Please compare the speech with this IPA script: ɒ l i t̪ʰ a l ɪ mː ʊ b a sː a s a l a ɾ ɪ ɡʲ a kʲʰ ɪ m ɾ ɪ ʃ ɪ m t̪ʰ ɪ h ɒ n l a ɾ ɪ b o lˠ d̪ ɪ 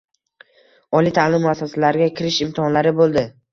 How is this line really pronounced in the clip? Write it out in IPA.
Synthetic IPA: ɒ l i t̪ʰ a l ɪ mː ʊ a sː a s a l a ɾ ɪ ɡʲ a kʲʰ ɪ ɾ ɪ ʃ ɪ m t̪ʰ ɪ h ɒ n l a ɾ ɪ b o lˠ d̪ ɪ